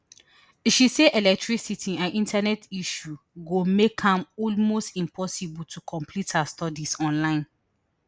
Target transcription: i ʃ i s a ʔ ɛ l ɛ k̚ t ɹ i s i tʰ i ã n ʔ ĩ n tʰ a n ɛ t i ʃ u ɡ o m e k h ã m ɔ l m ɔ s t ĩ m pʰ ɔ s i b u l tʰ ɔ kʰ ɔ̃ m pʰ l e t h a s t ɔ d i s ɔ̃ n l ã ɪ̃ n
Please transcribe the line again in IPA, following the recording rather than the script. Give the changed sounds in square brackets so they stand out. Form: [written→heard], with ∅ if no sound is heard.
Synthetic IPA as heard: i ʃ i s [a→e] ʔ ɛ l ɛ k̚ t ɹ i s i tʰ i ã n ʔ ĩ n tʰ a n ɛ t i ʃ u ɡ o m e k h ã m ɔ l m [ɔ→o] s t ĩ m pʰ ɔ s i b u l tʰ [ɔ→u] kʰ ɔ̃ m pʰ l [e→i] t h a s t ɔ d i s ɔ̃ n l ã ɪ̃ n